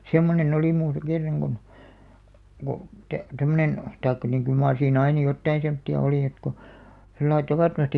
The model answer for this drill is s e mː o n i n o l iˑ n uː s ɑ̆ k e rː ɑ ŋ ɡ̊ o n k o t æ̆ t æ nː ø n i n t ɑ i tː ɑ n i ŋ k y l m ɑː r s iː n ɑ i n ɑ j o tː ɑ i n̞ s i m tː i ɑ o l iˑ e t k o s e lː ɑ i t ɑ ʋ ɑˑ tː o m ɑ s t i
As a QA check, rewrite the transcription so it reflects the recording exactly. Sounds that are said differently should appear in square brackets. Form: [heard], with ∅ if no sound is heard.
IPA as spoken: s e mː o n [e] n o l iˑ [m] uː s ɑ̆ k e rː ɑ ŋ ɡ̊ o n k o t æ̆ t æ [mː] ø n [e] n t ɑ i [kː] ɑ n i ŋ k y l m ɑː r s iː n ɑ i n ɑ j o tː ɑ i n̞ s [e] m tː i ɑ o l iˑ e t k o s e lː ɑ i t ɑ ʋ ɑˑ tː o m ɑ s t i